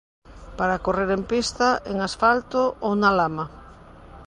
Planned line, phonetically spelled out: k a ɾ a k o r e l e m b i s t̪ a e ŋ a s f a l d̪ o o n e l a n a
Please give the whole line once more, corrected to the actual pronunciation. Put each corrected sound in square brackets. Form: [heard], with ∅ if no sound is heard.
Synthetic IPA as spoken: [p] a ɾ a k o r e [ɾ] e m [p] i s t̪ a e ŋ a s f a l [t̪] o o n [a] l a [m] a